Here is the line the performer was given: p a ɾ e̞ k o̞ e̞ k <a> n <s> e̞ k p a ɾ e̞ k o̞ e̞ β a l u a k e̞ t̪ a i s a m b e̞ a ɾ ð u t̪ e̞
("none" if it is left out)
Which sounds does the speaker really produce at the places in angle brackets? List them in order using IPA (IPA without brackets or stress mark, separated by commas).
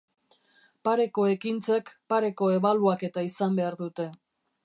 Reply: i, t͡s